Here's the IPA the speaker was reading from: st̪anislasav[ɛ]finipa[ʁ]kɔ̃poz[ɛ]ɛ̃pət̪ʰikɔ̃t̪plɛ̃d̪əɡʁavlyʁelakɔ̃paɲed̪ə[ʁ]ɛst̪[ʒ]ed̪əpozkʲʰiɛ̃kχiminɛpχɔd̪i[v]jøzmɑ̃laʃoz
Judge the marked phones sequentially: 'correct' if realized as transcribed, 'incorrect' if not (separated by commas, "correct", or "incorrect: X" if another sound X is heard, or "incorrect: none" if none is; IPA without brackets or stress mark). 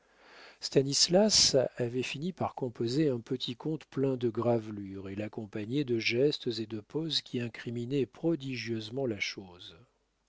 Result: correct, correct, incorrect: e, incorrect: ʒ, incorrect: z, incorrect: ʒ